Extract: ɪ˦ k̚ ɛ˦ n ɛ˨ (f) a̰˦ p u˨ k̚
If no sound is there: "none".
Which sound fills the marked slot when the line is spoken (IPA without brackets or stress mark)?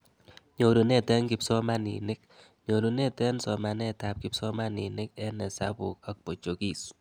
s